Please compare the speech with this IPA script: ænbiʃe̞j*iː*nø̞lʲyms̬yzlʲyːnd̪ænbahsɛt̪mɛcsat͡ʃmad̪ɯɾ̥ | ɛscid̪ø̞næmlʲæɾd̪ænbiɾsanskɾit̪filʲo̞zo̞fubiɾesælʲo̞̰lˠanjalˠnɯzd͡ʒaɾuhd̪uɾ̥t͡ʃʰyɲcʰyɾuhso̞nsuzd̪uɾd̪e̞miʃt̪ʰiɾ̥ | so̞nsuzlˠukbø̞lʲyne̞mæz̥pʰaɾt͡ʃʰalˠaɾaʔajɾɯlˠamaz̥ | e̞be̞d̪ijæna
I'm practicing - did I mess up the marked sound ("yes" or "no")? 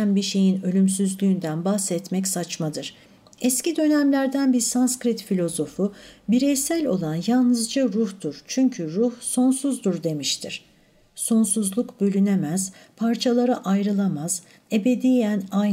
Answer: yes